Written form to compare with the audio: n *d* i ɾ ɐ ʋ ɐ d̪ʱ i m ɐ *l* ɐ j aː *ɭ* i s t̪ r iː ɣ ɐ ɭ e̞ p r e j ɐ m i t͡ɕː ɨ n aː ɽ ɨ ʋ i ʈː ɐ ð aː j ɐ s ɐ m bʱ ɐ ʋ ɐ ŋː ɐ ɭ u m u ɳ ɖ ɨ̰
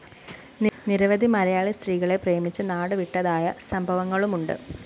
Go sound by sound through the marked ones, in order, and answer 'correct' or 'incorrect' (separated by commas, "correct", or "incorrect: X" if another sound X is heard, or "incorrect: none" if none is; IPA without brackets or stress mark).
incorrect: n, incorrect: ɾ, correct